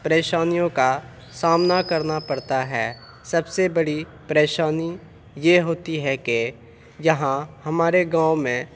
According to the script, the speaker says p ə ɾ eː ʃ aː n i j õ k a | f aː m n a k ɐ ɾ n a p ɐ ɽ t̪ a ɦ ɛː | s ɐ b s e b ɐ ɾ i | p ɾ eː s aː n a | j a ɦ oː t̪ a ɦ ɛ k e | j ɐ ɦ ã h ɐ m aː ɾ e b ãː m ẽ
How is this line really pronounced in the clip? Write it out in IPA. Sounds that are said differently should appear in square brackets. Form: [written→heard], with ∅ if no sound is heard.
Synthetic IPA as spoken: p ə ɾ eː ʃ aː n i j õ k a | [f→s] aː m n a k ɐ ɾ n a p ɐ ɽ t̪ a ɦ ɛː | s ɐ b s e b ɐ [ɾ→ɽ] i | p ɾ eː [s→ʃ] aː n [a→i] | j [a→e] ɦ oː t̪ [a→i] ɦ ɛ k e | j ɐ ɦ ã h ɐ m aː ɾ e [b→ɡ] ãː m ẽ